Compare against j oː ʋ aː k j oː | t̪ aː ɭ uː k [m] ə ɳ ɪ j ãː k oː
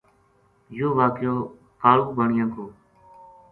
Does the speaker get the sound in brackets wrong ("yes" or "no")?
yes